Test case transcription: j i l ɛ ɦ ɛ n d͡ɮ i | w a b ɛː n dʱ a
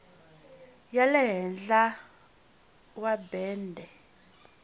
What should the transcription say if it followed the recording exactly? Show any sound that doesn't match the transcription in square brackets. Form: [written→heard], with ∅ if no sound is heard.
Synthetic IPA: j [i→a] l ɛ ɦ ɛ n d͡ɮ [i→a] | w a b ɛː n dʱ [a→ɛ]